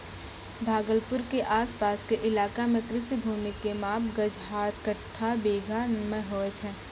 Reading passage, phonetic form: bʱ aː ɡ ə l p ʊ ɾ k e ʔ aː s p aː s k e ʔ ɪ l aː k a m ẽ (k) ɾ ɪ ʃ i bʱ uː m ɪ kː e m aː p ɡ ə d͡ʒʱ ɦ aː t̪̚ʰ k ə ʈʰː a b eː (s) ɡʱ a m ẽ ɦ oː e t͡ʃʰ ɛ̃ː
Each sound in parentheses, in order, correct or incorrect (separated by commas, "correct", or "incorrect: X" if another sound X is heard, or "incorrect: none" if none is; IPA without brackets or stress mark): correct, incorrect: none